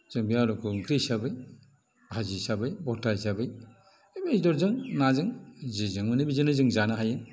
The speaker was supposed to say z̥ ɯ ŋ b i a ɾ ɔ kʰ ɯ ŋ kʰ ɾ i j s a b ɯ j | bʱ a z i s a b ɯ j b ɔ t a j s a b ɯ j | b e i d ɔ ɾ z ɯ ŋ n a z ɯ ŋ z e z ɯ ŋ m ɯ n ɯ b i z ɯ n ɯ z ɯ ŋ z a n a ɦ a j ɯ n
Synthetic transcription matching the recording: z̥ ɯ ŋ b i a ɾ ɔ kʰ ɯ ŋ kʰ ɾ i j s a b ɯ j | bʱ a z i s a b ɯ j b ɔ t a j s a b ɯ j | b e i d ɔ ɾ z ɯ ŋ n a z ɯ ŋ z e z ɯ ŋ m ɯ n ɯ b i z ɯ n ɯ z ɯ ŋ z a n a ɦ a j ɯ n